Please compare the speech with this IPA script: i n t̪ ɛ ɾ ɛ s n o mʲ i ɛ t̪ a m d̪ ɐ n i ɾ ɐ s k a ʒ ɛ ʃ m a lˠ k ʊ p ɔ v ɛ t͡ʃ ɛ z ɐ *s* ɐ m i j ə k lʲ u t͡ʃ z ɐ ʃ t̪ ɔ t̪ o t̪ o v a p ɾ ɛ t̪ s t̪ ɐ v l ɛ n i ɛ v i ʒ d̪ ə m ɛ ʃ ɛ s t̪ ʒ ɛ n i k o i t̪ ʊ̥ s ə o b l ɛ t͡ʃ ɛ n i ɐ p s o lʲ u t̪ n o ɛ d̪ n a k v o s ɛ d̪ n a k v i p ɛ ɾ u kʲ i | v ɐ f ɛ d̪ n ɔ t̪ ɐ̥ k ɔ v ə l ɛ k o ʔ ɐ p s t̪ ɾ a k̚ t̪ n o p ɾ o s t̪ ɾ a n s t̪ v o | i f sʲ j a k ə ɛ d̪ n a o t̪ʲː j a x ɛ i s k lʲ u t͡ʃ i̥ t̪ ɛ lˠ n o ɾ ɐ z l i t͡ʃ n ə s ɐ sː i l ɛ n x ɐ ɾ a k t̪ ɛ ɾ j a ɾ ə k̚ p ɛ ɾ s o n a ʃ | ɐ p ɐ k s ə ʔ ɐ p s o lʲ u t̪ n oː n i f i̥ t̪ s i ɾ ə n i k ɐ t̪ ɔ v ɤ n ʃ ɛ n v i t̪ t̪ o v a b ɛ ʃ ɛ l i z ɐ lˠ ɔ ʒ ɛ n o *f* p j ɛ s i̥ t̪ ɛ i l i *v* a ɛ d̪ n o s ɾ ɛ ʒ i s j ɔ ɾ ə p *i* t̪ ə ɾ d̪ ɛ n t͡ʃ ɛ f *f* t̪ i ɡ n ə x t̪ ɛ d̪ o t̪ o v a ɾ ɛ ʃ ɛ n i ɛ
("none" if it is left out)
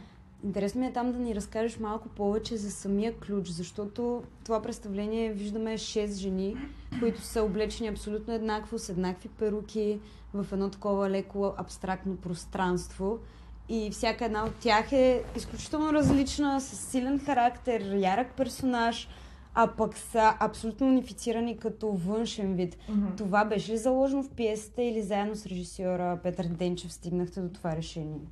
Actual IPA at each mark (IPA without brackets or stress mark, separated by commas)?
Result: s, f, z, ɛ, s